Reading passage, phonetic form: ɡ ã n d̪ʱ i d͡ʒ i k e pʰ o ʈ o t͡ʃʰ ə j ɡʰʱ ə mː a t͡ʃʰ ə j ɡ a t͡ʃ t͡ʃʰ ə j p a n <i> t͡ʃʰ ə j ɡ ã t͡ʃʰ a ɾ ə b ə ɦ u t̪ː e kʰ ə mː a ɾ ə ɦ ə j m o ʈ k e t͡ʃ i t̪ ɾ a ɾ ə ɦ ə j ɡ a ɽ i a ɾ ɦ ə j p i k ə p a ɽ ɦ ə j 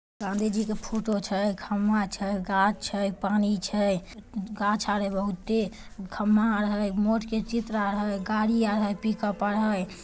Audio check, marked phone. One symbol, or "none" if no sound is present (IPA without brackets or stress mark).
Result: i